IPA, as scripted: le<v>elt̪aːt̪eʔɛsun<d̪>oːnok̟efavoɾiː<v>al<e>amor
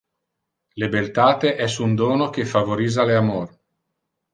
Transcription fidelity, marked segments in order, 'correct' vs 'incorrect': incorrect: b, correct, incorrect: z, correct

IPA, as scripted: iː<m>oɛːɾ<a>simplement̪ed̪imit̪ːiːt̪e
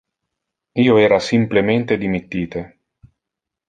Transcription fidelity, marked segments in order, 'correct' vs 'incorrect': incorrect: none, correct

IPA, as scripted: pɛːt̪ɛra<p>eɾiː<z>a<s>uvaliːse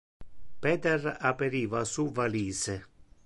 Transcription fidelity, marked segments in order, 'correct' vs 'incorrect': correct, incorrect: v, correct

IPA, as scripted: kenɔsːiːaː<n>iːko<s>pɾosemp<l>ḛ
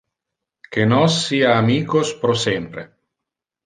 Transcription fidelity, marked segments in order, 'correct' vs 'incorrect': incorrect: m, correct, incorrect: ɾ

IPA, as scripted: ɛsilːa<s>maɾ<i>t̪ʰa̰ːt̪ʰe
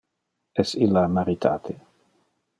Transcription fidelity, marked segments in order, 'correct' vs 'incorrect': incorrect: none, correct

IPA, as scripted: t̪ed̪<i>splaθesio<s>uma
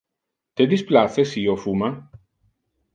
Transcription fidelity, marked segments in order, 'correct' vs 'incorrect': correct, incorrect: f

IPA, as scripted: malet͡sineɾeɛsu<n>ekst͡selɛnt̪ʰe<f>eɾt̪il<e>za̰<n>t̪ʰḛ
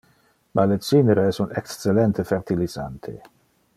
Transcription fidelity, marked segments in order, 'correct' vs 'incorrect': correct, correct, incorrect: i, correct

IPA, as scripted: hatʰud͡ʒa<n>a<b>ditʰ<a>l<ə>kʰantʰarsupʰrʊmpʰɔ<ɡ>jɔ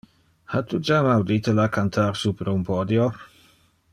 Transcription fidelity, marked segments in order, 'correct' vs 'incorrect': incorrect: m, incorrect: w, incorrect: ə, incorrect: a, incorrect: d

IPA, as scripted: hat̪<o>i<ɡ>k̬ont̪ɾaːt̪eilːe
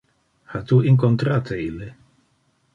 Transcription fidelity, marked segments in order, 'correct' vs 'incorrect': incorrect: u, incorrect: ŋ

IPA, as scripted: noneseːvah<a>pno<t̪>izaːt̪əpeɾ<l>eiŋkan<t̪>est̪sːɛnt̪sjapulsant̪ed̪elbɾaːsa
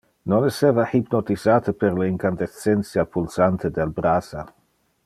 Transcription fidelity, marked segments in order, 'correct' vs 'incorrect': incorrect: i, correct, correct, incorrect: d̪

